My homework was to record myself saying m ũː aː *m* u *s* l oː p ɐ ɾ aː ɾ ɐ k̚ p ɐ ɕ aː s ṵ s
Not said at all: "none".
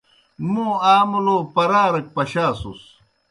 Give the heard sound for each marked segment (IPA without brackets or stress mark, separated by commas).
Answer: m, none